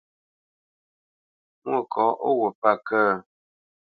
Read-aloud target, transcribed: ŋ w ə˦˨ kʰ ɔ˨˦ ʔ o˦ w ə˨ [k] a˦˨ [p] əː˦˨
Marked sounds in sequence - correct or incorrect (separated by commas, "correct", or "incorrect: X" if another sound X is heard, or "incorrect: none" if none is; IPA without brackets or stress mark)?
incorrect: p, incorrect: k